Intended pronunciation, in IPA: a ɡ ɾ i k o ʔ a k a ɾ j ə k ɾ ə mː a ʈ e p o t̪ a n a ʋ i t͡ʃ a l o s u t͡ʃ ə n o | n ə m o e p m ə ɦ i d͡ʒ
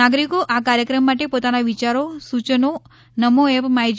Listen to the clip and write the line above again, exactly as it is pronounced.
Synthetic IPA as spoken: a ɡ ɾ i k o ʔ a k a ɾ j ə k ɾ ə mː a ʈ e p o t̪ a n a ʋ i t͡ʃ a ɾ o s u t͡ʃ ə n o | n ə m o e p m a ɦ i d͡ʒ